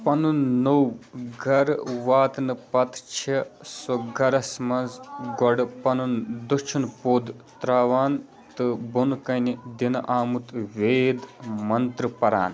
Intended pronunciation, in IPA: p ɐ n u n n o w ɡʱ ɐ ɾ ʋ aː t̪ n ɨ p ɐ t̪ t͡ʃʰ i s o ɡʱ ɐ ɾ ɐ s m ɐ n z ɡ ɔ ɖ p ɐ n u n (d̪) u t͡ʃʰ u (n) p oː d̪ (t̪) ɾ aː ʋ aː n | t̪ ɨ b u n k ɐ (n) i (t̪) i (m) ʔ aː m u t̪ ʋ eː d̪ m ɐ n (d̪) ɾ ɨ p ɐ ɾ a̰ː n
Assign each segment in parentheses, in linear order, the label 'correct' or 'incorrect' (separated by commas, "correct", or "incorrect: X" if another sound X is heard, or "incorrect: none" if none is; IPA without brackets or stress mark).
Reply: correct, correct, correct, correct, incorrect: d̪, incorrect: n, incorrect: t̪